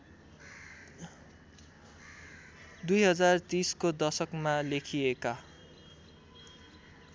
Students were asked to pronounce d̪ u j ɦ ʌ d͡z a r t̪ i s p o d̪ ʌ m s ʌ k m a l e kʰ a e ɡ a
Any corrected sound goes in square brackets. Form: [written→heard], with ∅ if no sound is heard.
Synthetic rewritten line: d̪ u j ɦ ʌ d͡z a r t̪ i s [p→k] o d̪ ʌ [m→∅] s ʌ k m a l e kʰ [a→i] e [ɡ→k] a